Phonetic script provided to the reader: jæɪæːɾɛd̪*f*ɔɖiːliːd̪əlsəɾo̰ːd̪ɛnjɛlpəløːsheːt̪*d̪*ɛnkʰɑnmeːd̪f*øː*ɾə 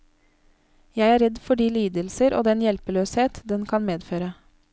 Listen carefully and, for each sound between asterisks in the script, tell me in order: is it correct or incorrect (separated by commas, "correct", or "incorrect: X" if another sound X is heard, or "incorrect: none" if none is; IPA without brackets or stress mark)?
correct, correct, correct